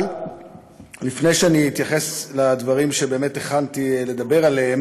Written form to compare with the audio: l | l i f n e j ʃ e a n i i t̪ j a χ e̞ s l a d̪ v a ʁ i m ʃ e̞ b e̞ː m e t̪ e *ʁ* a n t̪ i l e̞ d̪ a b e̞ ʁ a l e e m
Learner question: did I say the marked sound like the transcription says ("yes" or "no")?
no